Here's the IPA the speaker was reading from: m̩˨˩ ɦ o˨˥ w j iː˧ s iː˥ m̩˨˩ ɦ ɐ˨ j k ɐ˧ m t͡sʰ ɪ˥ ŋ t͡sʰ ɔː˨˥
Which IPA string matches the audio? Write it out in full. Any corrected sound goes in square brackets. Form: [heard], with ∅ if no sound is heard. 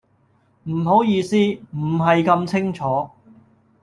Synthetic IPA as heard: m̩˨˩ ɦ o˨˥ w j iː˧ s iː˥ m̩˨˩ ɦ ɐ˨ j k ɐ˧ m t͡sʰ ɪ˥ ŋ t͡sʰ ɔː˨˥